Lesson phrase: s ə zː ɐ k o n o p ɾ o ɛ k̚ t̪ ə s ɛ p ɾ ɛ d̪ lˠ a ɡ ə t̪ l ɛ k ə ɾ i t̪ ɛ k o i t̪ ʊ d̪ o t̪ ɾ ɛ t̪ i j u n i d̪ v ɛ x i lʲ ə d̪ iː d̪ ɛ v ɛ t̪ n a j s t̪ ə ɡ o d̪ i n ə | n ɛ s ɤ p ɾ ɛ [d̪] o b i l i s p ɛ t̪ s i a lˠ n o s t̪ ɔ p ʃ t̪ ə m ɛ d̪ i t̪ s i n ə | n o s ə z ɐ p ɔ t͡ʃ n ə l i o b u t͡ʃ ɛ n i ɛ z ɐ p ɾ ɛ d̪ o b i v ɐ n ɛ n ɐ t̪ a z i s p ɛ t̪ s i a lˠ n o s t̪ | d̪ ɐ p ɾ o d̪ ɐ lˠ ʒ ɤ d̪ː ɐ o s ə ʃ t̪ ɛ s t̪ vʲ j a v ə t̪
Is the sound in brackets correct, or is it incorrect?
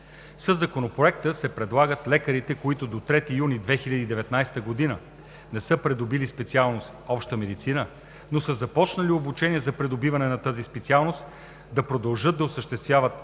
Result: correct